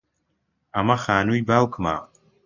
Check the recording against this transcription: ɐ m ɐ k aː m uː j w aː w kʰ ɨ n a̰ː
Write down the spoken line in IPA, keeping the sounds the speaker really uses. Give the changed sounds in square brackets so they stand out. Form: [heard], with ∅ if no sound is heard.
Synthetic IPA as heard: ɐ m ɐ [x] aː [n] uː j [b] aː w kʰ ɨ [m] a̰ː